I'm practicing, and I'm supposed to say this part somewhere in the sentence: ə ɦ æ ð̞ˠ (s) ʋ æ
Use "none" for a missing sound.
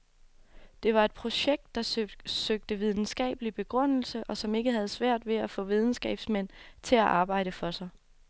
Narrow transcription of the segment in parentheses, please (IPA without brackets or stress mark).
s